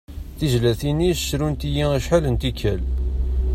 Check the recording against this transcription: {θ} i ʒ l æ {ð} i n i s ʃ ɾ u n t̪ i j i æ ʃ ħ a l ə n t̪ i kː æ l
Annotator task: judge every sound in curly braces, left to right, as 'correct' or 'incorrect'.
correct, incorrect: θ

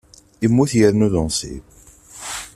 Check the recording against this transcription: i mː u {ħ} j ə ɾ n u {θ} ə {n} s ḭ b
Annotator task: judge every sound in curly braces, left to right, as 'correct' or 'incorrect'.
incorrect: θ, incorrect: ð, correct

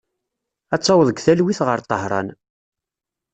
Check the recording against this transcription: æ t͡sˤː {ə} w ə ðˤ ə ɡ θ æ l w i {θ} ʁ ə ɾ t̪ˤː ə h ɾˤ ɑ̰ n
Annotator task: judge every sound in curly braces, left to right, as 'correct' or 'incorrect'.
incorrect: ɑ, correct

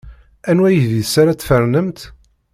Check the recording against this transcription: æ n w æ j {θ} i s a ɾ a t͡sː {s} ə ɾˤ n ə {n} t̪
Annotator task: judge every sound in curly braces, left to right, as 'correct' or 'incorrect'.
incorrect: ð, incorrect: f, incorrect: m

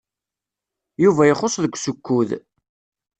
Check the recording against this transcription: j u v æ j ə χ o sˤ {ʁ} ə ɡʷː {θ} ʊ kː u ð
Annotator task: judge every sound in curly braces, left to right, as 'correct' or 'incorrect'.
incorrect: ð, incorrect: s

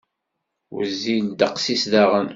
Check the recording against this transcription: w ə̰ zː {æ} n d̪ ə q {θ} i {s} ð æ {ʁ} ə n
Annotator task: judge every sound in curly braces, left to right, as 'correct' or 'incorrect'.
incorrect: i, incorrect: s, correct, correct

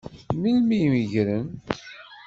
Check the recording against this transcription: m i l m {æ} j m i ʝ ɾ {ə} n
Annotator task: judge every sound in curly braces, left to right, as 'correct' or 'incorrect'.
incorrect: i, correct

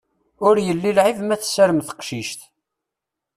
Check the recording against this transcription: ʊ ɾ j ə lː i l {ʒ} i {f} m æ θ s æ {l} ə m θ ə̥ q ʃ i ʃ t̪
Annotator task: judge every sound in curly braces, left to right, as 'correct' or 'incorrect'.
incorrect: ʕ, incorrect: v, incorrect: ɾ

